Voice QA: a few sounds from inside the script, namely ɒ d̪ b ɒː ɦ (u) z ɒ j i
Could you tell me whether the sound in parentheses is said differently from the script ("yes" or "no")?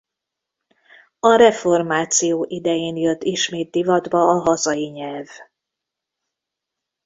yes